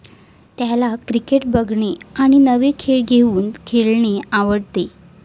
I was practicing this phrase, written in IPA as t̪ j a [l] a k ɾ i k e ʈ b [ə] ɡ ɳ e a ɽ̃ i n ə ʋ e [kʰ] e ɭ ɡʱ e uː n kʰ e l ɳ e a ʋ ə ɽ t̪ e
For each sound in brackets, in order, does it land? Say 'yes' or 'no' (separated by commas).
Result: yes, yes, yes